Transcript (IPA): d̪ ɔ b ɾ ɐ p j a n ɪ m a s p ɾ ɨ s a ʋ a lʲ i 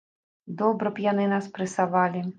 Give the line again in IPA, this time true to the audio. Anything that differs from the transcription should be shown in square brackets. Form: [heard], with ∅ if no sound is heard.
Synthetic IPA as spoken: d̪ ɔ b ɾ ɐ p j a n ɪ [n] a s p ɾ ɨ s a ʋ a lʲ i